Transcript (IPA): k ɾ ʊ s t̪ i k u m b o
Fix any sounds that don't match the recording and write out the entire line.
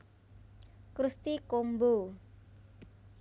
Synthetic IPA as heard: k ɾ u s t̪ i k o m b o